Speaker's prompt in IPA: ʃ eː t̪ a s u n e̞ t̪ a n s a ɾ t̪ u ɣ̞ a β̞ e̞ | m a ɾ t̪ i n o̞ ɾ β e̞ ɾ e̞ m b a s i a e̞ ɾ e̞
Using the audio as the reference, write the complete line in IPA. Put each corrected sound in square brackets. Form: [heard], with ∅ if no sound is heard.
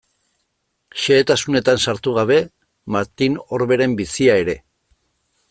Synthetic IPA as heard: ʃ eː t̪ a s u n e̞ t̪ a n s a ɾ t̪ u ɣ̞ a β̞ e̞ | m a ɾ t̪ i n o̞ ɾ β e̞ ɾ e̞ m b [i] s i a e̞ ɾ e̞